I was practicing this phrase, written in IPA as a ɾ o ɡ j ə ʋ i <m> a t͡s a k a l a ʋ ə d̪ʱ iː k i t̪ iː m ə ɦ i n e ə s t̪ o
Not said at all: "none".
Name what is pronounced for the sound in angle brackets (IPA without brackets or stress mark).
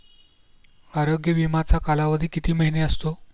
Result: m